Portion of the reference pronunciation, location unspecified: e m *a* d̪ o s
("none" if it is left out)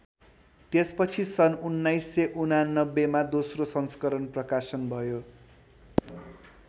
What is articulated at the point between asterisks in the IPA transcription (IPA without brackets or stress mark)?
a